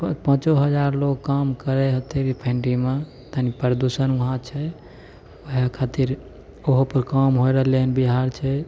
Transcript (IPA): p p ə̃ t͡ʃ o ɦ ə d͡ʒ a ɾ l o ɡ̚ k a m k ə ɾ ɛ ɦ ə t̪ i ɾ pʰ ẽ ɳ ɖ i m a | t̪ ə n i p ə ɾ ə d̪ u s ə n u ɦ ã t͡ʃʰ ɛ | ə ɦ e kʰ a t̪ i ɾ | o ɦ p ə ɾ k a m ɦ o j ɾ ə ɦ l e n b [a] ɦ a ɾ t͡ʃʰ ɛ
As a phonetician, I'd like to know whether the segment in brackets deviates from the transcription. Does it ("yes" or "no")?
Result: yes